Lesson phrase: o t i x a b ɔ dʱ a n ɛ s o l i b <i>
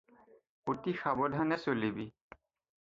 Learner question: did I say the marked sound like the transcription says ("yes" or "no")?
yes